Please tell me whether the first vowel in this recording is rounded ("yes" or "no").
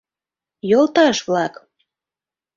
yes